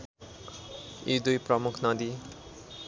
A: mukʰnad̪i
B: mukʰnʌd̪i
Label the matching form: B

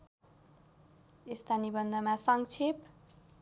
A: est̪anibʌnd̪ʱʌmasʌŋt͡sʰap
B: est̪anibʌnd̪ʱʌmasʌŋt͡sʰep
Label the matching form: B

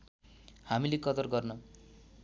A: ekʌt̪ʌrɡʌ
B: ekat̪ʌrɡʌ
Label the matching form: A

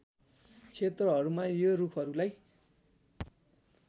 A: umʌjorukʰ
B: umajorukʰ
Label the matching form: B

